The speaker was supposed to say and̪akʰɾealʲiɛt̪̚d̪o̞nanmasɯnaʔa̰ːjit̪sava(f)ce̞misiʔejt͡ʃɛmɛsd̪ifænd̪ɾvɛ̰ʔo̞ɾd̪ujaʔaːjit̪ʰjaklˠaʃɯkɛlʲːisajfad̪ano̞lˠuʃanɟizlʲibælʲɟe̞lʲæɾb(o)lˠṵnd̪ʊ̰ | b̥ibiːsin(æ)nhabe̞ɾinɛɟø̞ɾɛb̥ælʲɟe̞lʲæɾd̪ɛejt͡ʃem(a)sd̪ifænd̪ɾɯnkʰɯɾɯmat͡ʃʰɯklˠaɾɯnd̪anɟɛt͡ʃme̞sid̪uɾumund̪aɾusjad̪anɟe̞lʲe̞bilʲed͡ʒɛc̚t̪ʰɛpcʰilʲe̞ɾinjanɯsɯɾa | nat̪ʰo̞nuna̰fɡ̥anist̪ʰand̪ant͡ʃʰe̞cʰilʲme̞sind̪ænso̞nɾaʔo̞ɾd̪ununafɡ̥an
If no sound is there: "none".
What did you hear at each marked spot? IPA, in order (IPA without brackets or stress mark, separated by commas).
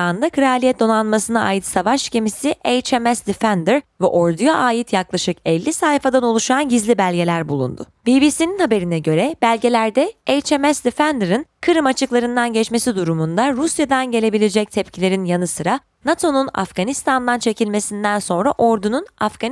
ʃ, u, i, ɛ